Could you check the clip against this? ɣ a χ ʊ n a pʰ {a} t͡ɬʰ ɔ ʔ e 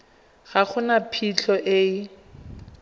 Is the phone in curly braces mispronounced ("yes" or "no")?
yes